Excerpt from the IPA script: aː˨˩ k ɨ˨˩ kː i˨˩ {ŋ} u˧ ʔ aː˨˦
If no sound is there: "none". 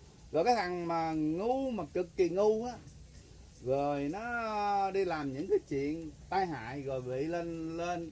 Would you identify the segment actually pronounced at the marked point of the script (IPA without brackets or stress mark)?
ŋ